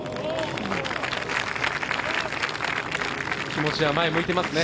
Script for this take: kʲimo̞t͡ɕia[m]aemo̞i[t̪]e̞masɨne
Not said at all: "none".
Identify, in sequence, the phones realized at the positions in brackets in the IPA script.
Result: m, t̪

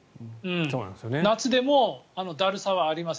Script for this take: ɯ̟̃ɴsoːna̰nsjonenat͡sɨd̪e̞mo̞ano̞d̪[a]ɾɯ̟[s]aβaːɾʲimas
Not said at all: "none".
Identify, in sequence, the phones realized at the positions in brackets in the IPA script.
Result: a, s

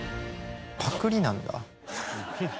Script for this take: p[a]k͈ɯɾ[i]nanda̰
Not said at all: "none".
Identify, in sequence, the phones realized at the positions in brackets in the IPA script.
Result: a, i

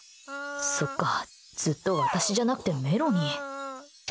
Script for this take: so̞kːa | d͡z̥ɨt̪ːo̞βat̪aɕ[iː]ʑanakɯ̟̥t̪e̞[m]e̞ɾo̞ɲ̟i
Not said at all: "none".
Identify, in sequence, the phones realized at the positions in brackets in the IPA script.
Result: i, m

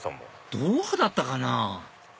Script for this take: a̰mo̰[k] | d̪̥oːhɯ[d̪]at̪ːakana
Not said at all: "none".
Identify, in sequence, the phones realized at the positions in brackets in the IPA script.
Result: none, d̪

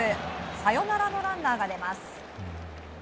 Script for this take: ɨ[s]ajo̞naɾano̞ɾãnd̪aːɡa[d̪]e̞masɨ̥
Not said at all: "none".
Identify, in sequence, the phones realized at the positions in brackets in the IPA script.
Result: s, d̪

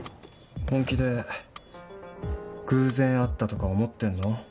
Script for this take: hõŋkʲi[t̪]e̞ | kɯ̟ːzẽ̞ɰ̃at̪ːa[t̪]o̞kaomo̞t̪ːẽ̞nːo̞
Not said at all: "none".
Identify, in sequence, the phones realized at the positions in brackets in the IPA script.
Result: d̪, t̪

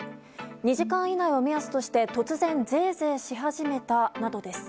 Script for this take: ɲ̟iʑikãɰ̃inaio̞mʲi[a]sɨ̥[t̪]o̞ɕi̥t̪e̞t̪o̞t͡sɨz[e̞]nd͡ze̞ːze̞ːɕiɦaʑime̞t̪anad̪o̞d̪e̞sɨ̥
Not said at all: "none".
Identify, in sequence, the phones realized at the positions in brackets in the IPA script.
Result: a, t̪, ẽ̞

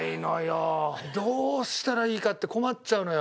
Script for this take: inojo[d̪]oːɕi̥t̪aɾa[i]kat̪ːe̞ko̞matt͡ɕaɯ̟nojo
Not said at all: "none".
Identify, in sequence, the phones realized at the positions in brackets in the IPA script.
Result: d̪, iː

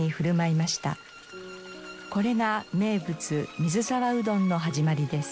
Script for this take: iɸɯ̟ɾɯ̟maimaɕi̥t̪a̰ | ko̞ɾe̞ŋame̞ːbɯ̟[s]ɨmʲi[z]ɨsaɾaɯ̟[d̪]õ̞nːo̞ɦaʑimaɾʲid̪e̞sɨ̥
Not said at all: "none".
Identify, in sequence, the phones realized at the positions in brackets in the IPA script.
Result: t͡s, z, d̪

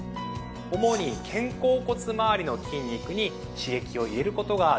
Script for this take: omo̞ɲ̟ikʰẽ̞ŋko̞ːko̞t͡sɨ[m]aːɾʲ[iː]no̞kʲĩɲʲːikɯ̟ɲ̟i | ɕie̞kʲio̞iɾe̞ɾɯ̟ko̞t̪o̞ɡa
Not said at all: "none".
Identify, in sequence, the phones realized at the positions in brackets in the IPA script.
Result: m, i

